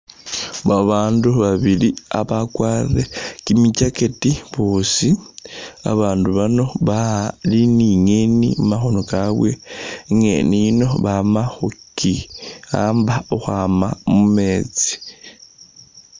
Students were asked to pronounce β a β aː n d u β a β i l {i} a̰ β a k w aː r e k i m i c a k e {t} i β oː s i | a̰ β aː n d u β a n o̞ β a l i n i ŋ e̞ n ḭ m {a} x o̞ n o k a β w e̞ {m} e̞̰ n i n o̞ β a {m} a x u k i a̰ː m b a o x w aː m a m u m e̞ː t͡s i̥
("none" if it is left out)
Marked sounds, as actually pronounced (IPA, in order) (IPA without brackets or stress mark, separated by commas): i, t, a, ŋ, m